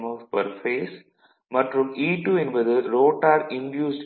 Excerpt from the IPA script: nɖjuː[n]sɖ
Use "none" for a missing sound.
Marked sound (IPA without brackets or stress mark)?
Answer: none